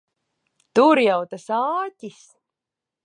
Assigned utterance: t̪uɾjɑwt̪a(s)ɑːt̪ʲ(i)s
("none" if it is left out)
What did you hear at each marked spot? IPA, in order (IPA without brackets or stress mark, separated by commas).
s, i